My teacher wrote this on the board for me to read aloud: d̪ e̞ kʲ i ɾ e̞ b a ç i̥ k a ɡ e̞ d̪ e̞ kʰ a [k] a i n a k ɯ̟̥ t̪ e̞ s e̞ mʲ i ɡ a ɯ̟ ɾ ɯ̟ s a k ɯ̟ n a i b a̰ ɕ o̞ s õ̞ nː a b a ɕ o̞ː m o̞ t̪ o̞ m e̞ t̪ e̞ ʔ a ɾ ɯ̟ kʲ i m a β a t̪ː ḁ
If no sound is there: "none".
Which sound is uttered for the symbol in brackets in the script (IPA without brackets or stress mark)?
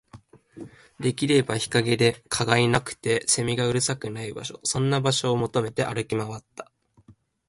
ɡ